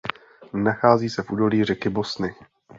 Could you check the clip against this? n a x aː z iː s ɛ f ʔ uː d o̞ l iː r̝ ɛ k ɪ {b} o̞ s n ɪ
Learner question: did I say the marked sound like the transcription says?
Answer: yes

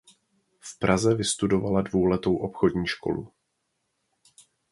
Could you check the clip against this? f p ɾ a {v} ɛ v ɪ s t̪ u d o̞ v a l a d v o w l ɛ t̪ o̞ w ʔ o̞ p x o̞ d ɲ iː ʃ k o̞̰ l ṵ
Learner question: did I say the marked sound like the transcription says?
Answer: no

